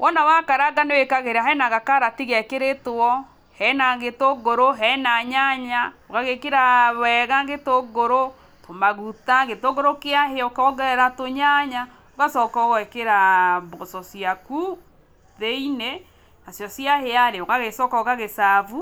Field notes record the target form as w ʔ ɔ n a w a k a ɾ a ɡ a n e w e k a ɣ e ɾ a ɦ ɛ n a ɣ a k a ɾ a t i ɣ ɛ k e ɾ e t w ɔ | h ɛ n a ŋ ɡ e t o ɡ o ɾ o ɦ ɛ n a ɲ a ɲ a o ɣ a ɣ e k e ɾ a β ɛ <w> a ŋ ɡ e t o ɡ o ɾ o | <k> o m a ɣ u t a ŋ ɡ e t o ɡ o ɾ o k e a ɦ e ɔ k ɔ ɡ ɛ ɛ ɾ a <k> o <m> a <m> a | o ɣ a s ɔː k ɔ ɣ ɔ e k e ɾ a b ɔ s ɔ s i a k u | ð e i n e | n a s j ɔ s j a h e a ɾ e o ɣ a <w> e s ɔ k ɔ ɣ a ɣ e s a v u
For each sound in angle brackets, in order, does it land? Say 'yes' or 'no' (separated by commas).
no, no, no, no, no, no